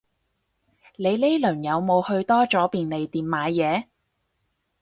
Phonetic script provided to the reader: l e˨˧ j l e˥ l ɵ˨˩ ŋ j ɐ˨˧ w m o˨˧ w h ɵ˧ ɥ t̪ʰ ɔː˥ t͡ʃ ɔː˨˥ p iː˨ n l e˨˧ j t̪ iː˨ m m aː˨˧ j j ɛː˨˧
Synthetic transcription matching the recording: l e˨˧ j l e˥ l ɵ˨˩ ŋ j ɐ˨˧ w m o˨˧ w h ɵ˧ ɥ t̪ ɔː˥ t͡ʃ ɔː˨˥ p iː˨ n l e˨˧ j t̪ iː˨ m m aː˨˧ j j ɛː˨˧